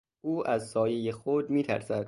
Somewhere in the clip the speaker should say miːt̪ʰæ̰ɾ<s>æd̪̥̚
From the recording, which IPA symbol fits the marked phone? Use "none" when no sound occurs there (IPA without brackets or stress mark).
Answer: s